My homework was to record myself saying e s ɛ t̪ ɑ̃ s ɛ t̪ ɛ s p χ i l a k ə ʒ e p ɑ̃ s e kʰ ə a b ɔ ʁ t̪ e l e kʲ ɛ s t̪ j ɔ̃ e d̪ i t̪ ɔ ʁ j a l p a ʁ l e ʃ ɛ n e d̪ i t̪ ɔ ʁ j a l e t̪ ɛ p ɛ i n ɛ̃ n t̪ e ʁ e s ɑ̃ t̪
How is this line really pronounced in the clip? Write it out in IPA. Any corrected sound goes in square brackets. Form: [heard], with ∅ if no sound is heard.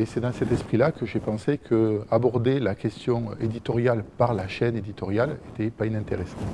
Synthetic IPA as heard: e s ɛ [d̪] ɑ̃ s ɛ t̪ ɛ s p χ i l a k ə ʒ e p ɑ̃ s e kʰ ə a b ɔ ʁ [d̪] e l [a] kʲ ɛ s t̪ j ɔ̃ e d̪ i t̪ ɔ ʁ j a l p a ʁ l [a] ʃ ɛ n e d̪ i t̪ ɔ ʁ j a l e t̪ ɛ p [a] i n ɛ̃ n t̪ e ʁ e s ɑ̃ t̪